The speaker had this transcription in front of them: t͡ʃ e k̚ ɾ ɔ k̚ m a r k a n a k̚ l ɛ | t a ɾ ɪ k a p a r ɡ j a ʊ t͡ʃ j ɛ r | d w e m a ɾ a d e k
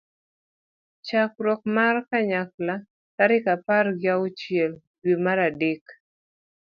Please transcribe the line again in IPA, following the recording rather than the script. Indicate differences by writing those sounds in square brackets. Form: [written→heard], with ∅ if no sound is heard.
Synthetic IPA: t͡ʃ [e→a] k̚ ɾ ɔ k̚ m a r k a [n→ɲ] a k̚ l [ɛ→a] | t a ɾ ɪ k a p a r ɡ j a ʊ t͡ʃ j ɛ [r→l] | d w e m a ɾ a d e k